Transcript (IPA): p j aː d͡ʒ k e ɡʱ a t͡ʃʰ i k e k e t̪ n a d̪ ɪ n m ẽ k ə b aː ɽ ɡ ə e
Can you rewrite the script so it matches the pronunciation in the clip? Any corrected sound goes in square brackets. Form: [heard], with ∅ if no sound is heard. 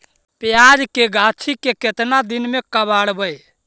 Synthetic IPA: p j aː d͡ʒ k e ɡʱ a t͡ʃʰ i k e k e t̪ n a d̪ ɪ n m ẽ k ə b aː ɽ [b] ə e